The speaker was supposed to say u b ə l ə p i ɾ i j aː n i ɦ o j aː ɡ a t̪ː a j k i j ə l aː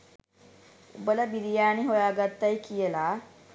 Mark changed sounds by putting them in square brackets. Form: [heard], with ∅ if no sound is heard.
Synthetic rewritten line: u b ə l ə [b] i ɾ i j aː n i ɦ o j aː ɡ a t̪ː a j k i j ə l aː